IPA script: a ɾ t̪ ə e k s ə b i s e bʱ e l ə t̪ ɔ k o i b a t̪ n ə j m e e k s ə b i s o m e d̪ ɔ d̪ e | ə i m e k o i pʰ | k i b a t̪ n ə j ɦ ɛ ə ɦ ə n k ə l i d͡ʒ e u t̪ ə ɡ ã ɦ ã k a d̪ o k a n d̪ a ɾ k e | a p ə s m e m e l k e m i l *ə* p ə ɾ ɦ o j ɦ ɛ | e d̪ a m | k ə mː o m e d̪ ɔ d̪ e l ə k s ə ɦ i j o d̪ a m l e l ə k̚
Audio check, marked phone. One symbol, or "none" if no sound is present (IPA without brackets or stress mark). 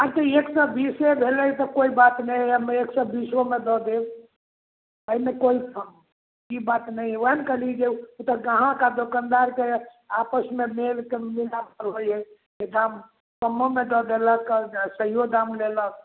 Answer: a